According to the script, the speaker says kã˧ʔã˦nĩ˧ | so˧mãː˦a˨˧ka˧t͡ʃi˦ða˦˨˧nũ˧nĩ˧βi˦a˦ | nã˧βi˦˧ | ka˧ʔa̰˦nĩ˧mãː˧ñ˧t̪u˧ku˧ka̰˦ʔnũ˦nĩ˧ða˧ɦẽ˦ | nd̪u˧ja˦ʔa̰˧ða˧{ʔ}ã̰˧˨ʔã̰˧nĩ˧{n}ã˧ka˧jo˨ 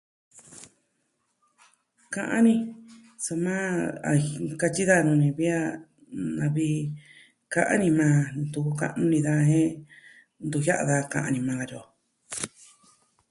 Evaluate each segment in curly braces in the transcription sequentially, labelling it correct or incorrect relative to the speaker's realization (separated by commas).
incorrect, incorrect